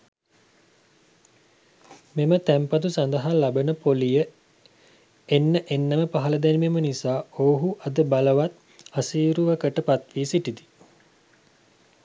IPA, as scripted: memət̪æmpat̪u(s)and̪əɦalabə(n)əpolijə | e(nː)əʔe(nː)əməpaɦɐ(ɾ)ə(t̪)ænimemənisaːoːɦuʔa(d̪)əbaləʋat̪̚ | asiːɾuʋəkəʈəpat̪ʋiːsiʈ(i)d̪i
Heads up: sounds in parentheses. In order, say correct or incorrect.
correct, correct, correct, correct, incorrect: l, incorrect: d̪, correct, correct

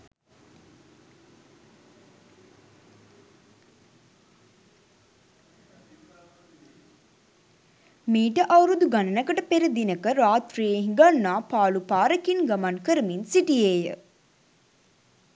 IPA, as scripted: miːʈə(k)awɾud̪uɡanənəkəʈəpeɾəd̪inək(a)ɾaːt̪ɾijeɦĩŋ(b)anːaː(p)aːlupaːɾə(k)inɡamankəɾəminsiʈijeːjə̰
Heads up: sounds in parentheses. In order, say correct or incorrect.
incorrect: ʔ, incorrect: ə, incorrect: ɡ, correct, correct

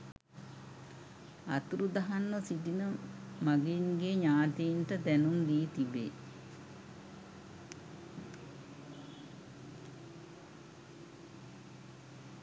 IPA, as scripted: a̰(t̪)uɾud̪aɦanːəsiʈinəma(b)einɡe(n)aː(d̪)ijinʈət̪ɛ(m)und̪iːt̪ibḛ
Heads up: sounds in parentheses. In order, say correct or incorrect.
correct, incorrect: ɡ, incorrect: ɲ, incorrect: t̪, incorrect: n

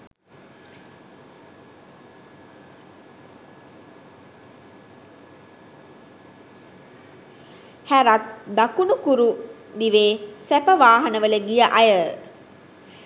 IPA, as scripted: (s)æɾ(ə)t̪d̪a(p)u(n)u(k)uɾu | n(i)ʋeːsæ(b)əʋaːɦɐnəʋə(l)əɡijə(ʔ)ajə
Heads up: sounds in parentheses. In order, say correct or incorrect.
incorrect: h, incorrect: a, incorrect: k, correct, correct, correct, incorrect: p, correct, correct

